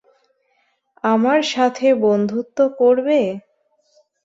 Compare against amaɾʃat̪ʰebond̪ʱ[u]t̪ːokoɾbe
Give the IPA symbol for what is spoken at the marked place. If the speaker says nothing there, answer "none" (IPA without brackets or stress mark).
u